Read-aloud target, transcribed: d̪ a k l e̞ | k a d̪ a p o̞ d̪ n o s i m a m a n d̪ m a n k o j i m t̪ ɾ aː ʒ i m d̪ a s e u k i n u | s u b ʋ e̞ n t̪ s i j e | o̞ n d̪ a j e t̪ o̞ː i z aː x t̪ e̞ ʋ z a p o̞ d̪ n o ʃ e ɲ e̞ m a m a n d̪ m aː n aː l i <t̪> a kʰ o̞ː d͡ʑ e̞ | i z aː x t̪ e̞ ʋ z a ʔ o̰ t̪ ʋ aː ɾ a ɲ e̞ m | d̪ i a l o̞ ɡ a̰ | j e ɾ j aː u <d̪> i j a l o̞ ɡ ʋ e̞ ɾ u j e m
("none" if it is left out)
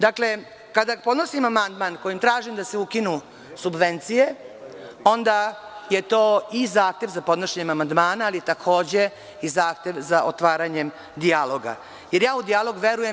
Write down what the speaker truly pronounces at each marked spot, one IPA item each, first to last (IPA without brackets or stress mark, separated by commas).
t̪, d̪